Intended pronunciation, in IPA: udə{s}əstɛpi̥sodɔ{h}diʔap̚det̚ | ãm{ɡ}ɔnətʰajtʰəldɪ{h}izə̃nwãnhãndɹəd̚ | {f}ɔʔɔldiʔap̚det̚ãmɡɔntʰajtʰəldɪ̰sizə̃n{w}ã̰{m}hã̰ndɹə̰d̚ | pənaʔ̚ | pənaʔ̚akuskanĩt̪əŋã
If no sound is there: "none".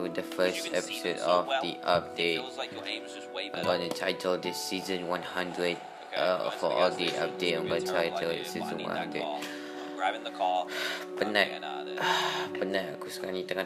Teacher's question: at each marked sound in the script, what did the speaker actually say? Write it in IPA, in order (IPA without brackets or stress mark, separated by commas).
f, f, ɡ, s, f, w, n